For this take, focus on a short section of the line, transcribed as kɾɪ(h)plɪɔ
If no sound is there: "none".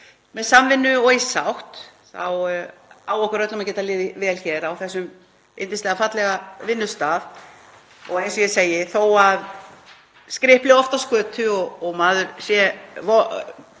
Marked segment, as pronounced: h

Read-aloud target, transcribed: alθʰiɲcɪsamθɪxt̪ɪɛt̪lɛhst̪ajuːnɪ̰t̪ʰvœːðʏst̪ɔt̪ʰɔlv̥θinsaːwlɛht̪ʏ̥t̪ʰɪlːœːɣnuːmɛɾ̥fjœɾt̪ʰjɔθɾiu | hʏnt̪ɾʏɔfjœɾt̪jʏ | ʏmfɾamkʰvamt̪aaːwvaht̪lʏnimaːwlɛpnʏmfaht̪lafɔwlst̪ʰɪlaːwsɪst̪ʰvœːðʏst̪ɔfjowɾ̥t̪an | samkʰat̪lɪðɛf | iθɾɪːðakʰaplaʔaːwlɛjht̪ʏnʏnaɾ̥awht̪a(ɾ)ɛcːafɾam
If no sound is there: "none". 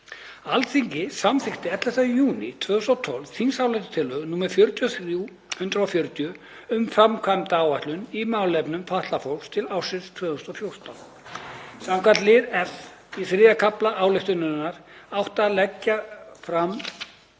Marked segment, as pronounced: l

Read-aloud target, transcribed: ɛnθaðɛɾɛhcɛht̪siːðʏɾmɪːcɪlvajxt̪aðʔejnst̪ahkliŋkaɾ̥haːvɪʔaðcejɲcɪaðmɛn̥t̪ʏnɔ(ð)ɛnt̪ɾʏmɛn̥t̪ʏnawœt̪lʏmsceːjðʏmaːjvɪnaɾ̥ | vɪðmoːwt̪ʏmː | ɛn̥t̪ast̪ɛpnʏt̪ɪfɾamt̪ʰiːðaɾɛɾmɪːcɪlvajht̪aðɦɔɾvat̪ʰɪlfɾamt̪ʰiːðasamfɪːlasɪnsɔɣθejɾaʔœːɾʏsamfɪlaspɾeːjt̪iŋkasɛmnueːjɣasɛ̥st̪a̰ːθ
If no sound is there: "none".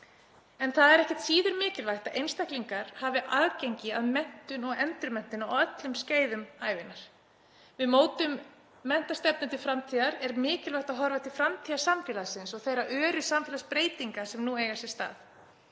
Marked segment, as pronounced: ɣ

